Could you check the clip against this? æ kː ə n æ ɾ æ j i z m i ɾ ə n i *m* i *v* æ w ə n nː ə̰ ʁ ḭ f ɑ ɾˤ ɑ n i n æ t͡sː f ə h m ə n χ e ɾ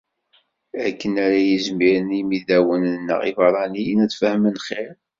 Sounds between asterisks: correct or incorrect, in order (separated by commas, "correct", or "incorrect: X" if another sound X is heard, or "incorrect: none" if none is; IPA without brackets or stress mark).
correct, incorrect: ð